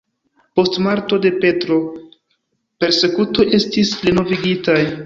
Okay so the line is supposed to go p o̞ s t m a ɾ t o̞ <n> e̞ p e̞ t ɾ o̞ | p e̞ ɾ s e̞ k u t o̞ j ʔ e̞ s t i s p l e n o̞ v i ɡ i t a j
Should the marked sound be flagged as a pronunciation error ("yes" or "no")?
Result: yes